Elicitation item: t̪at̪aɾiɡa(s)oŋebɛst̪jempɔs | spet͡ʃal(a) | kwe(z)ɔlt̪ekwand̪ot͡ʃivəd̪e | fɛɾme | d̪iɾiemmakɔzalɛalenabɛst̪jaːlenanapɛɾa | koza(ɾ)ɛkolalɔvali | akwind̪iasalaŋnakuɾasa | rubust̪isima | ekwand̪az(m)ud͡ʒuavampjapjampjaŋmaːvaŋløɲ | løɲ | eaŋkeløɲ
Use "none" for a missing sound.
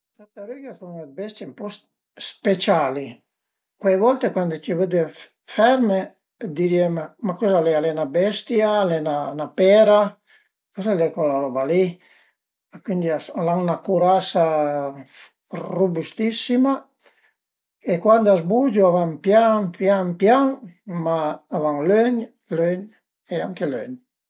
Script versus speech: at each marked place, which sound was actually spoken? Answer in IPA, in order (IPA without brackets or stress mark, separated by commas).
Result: s, i, v, l, b